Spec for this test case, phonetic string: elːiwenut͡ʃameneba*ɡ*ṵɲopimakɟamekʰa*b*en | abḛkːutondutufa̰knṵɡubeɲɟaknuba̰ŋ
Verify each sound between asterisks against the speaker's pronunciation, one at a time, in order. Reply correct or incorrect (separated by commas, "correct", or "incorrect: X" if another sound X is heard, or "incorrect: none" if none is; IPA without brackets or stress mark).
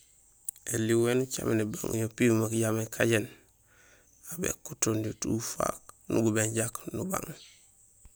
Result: incorrect: ŋ, incorrect: ɟ